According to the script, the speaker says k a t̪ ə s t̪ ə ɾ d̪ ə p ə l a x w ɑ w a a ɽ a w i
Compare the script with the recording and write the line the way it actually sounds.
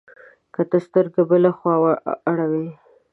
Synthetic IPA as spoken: k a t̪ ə s t̪ ə ɾ d̪ ə b ə l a x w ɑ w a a ɽ a w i